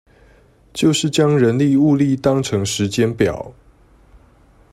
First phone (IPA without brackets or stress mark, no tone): t͡ɕ